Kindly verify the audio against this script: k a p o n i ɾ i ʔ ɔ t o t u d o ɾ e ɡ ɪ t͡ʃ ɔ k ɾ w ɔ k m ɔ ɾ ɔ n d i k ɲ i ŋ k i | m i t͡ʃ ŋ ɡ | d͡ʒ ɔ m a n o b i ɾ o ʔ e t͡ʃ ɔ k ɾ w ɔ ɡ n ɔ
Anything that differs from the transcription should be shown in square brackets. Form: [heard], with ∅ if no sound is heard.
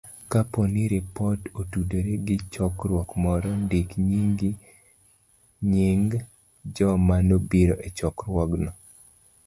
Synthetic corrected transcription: k a p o n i ɾ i [p] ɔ t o t u d o ɾ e ɡ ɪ t͡ʃ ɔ k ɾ w ɔ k m ɔ ɾ ɔ n d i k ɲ i ŋ [ɡ] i | [ɲ] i [∅] ŋ ɡ | d͡ʒ ɔ m a n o b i ɾ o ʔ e t͡ʃ ɔ k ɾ w ɔ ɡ n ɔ